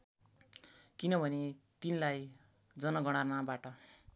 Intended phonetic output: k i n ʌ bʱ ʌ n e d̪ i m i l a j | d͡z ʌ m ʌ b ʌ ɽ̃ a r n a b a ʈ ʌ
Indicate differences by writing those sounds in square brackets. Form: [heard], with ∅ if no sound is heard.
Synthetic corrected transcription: k i n ʌ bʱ ʌ n e [t̪] i [n] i l a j | d͡z ʌ [n] ʌ [ɡ] ʌ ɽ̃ a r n a b a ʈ ʌ